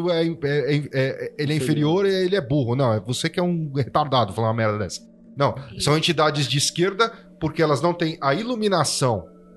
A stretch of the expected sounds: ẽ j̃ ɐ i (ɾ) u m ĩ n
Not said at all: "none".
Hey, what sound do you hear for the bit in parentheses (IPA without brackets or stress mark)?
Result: l